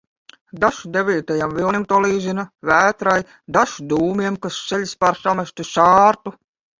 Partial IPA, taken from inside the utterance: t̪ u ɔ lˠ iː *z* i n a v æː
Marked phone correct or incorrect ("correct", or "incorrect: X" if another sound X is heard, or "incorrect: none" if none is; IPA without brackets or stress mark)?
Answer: correct